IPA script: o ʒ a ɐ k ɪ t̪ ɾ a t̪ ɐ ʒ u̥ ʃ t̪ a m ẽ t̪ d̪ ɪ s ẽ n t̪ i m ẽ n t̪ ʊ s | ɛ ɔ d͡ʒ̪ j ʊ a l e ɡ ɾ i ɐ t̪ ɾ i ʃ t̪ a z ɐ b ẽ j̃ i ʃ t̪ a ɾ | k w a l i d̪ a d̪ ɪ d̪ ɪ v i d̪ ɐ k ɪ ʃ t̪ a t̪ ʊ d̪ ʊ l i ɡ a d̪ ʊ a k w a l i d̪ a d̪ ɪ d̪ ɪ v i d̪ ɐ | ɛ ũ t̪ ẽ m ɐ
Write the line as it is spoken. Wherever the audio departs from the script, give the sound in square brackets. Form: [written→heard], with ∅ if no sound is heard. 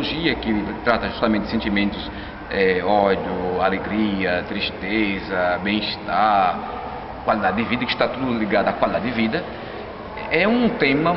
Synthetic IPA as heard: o ʒ [a→i] ɐ k ɪ t̪ ɾ a t̪ ɐ ʒ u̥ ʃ t̪ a m ẽ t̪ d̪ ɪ s ẽ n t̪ i m ẽ n t̪ ʊ s | ɛ ɔ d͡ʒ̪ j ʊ a l e ɡ ɾ i ɐ t̪ ɾ i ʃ t̪ [a→e] z ɐ b ẽ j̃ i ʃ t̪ a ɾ | k w a l i d̪ a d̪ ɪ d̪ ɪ v i d̪ ɐ k ɪ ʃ t̪ a t̪ [ʊ→u] d̪ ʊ l i ɡ a d̪ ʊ a k w a l i d̪ a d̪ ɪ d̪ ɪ v i d̪ ɐ | ɛ ũ t̪ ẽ m ɐ